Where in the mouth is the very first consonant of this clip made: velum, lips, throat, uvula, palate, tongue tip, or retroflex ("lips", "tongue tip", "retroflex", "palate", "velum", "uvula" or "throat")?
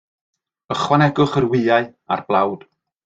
uvula